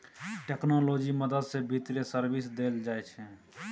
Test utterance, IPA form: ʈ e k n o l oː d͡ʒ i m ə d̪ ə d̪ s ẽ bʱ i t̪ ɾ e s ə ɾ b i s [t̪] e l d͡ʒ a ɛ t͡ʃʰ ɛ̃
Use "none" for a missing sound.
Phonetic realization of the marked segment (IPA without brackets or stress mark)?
d̪